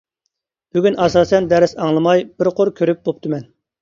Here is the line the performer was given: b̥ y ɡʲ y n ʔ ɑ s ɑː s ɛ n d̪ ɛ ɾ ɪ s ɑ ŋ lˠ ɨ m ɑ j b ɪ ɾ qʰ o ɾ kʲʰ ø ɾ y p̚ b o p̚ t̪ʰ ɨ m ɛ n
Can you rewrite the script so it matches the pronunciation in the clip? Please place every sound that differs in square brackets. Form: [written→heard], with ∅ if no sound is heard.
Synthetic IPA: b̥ y ɡʲ y n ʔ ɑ s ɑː s ɛ n d̪ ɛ ɾ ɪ s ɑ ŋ lˠ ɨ m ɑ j b ɪ ɾ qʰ o ɾ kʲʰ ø ɾ y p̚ b o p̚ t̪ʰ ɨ m ɛ n